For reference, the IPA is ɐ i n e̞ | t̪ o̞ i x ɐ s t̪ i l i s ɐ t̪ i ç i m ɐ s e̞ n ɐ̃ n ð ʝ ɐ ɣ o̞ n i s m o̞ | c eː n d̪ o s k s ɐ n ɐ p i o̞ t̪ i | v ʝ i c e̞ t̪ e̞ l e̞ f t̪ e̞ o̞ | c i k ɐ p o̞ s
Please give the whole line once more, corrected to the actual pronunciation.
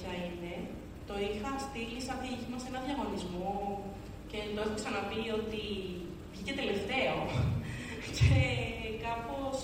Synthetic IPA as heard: ɐ i n e̞ | t̪ o̞ i x ɐ s t̪ i l i s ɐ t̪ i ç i m ɐ s e̞ n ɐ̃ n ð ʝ ɐ ɣ o̞ n i z m o̞ | c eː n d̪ o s k s ɐ n ɐ p i o̞ t̪ i | v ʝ i c e̞ t̪ e̞ l e̞ f t̪ e̞ o̞ | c e k ɐ p o̞ s